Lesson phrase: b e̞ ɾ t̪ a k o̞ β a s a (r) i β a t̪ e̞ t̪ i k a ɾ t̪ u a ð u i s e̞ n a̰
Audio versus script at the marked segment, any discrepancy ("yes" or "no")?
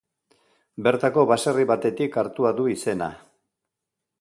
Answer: no